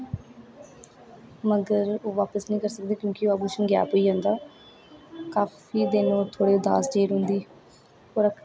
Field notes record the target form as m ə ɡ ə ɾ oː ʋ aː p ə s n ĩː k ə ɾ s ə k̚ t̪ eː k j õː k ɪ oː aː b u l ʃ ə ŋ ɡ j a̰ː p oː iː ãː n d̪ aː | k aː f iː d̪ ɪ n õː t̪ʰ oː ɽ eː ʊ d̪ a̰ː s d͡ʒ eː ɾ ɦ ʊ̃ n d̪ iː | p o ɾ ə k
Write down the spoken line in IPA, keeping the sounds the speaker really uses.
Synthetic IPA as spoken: m ə ɡ ə ɾ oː ʋ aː p ə s n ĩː k ə ɾ s ə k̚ d̪ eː k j õː k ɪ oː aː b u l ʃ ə n ɡ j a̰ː p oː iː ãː n d̪ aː | k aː f iː d̪ ɪ n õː t̪ʰ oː ɽ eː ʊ d̪ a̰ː s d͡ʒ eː ɾ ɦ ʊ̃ n d̪ iː | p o ɾ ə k